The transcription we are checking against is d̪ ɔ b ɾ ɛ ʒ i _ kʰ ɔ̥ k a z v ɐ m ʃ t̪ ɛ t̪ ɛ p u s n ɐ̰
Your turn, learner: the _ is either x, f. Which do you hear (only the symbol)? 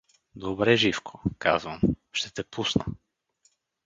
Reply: f